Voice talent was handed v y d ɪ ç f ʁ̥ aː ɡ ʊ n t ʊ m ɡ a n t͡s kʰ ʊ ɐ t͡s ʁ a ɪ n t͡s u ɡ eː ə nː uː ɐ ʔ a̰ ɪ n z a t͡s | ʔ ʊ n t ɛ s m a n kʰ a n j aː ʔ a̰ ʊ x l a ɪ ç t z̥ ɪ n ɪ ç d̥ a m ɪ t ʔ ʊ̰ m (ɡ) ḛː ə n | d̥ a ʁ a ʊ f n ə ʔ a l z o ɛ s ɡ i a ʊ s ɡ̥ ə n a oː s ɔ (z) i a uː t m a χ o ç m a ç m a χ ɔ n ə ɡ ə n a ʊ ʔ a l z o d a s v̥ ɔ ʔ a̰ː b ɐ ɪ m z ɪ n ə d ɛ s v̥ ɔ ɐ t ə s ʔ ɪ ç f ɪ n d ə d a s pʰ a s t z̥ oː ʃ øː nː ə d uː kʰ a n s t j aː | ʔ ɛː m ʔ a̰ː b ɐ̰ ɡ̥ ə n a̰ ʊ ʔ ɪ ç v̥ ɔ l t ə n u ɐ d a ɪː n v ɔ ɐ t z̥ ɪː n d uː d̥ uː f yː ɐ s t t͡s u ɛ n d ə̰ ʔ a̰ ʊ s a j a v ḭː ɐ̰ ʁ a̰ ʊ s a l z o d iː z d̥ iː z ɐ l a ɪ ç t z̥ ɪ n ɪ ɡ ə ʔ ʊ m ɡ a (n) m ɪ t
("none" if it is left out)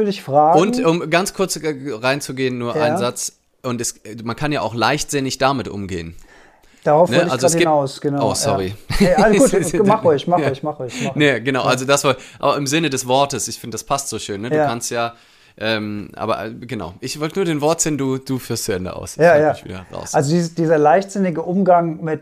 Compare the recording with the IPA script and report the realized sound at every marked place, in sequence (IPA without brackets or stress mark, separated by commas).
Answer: ɡ, ʁ, ŋ